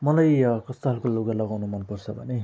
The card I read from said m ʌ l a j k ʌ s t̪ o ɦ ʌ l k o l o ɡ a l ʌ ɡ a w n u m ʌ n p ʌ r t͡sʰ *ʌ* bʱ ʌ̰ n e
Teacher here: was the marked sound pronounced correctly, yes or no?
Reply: yes